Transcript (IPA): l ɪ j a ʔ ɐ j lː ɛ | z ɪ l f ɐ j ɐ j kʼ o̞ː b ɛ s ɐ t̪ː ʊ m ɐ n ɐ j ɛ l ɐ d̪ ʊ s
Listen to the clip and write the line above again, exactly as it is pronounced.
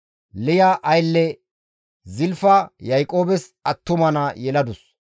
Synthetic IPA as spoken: l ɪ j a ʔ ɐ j lː ɛ | z ɪ l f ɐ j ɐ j kʼ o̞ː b ɛ s ɐ t̪ː ʊ m ɐ n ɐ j ɛ l ɐ d̪ ʊ s